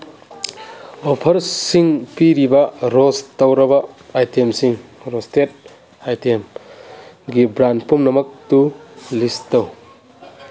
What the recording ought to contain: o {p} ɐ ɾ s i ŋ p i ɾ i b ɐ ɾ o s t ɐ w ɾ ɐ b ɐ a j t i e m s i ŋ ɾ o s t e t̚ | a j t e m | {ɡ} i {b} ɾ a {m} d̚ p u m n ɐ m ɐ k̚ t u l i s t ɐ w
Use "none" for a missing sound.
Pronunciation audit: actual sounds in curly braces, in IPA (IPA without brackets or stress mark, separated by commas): pʰ, ɡ, b, n